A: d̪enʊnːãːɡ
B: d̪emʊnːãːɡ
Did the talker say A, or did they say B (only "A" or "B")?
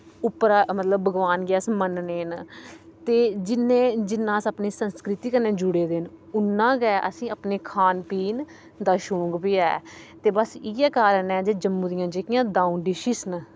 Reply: A